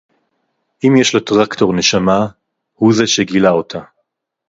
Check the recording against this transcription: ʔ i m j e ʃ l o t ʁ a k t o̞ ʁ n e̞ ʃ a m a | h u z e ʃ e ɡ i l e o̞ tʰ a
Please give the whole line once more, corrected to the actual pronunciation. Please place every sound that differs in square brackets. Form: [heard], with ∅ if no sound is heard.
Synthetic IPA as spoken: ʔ i m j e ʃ l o t ʁ a k t o̞ ʁ n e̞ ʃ a m a | h u z e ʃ e ɡ i l [a] o̞ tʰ a